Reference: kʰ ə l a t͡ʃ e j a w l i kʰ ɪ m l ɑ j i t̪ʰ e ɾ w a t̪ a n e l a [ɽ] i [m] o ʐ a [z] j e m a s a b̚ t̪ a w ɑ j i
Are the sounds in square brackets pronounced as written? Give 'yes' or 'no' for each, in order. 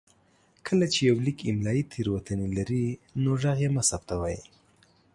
no, no, no

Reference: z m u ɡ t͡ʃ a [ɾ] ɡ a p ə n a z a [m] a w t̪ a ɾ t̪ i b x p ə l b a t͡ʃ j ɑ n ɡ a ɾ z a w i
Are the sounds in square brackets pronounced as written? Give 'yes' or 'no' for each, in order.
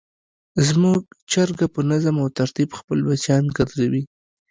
yes, yes

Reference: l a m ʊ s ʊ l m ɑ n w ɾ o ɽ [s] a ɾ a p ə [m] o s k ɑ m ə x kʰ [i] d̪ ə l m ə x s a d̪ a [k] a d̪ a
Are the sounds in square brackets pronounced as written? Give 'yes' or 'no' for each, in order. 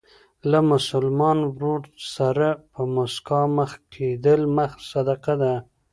yes, yes, no, no

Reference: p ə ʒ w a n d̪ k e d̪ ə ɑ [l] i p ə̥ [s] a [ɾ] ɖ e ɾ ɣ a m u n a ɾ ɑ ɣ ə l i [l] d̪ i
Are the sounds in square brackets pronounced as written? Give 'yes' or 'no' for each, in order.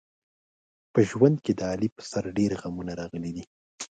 yes, yes, yes, no

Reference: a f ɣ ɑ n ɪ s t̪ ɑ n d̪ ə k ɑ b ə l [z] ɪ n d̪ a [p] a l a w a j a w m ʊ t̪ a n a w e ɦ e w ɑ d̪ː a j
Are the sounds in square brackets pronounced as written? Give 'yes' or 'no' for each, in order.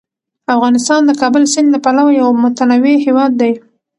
no, yes

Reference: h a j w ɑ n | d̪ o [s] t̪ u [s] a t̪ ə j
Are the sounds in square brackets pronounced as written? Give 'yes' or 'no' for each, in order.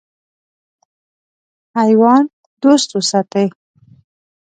yes, yes

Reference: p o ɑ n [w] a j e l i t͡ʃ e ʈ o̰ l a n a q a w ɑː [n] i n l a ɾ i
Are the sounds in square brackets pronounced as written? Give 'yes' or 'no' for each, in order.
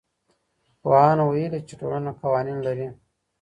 yes, yes

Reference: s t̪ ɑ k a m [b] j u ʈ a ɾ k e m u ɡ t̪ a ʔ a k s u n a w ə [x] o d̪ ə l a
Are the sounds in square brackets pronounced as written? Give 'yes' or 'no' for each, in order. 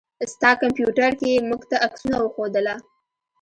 no, yes

